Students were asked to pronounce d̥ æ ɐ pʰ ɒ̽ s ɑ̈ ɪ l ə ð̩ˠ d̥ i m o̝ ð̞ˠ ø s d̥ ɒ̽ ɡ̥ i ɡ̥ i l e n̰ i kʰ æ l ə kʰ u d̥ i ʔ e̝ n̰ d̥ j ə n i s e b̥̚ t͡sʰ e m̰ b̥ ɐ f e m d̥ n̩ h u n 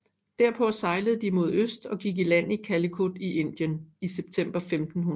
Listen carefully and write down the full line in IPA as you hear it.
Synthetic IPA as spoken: d̥ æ ɐ pʰ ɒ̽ s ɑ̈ ɪ l ə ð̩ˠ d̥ i m o̝ ð̞ˠ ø s d̥ ɒ̽ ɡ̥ i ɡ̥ i l æ n̰ i kʰ æ l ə kʰ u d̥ i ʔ e̝ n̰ d̥ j ə n i s e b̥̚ t͡sʰ e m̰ b̥ ɐ f e m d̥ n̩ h u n